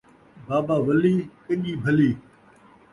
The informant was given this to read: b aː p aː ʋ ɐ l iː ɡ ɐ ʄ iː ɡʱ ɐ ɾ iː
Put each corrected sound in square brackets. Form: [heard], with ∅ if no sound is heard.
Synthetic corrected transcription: b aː [b] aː ʋ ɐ l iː [k] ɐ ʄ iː [bʱ] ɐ [l] iː